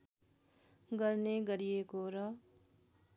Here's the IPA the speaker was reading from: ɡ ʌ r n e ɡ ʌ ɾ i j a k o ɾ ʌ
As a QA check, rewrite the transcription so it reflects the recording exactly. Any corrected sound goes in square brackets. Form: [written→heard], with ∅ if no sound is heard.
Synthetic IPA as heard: ɡ ʌ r n e ɡ ʌ ɾ i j [a→e] k o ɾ ʌ